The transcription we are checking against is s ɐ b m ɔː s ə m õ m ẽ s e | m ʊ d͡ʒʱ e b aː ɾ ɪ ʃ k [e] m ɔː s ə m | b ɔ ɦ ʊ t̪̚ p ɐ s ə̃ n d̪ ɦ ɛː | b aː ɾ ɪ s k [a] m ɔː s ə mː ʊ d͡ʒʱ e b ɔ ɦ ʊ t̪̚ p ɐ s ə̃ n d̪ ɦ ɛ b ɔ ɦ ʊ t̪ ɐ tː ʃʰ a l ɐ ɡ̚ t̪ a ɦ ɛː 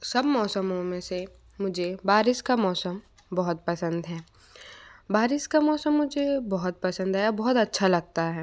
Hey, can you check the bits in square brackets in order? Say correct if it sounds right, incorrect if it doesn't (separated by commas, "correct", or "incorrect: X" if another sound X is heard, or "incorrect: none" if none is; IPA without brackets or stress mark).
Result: incorrect: a, correct